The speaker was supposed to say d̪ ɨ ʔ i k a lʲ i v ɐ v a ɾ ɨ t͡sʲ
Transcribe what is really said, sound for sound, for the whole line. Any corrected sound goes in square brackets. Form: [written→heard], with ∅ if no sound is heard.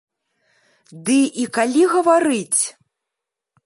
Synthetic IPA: d̪ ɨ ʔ i k a lʲ i [v→ɣ] ɐ v a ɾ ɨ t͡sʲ